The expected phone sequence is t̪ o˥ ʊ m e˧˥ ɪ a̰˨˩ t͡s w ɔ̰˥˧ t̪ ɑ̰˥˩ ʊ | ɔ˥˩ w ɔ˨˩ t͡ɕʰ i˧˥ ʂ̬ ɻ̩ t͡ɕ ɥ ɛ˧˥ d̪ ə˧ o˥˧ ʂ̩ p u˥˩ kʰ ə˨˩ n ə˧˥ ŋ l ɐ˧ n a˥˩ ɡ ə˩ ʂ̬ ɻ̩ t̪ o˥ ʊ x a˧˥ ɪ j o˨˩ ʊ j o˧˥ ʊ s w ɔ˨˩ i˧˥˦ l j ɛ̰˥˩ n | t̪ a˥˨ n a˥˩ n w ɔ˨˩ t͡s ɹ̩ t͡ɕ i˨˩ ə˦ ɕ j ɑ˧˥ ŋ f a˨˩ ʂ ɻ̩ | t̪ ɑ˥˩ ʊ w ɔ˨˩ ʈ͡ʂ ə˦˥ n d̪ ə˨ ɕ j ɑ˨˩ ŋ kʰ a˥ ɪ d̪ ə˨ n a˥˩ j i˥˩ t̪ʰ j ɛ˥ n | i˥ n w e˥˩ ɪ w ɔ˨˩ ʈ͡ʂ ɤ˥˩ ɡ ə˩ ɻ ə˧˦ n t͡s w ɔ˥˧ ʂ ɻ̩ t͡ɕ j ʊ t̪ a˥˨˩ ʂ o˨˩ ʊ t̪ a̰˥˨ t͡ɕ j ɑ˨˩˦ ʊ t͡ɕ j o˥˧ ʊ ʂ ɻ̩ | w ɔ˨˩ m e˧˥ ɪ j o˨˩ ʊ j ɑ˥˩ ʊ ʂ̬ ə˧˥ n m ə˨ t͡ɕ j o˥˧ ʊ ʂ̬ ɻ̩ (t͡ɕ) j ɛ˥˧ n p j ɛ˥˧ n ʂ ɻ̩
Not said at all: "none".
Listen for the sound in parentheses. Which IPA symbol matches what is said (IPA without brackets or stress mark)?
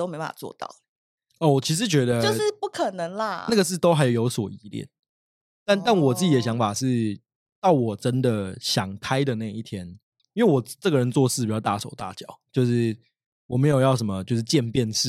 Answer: t͡ɕ